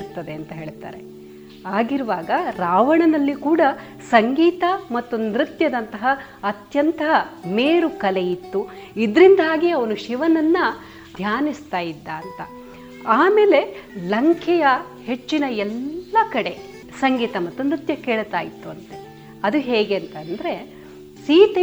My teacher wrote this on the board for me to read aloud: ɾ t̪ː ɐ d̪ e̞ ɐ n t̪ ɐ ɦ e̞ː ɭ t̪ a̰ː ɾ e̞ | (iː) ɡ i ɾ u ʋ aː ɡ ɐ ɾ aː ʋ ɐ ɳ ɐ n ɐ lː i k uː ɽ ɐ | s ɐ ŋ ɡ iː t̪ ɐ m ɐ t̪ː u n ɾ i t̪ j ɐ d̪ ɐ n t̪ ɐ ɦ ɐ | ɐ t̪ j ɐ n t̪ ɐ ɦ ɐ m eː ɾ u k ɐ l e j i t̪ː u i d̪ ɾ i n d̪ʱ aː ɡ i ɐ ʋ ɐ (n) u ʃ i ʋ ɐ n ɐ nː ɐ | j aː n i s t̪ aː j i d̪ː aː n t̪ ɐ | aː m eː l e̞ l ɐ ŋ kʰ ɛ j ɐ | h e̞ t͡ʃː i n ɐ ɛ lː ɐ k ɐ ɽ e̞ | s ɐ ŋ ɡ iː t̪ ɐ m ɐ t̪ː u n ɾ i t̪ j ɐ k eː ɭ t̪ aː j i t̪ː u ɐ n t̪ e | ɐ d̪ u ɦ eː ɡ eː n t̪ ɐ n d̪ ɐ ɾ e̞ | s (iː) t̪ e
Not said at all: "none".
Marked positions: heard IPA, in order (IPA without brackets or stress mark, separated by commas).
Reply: aː, n, iː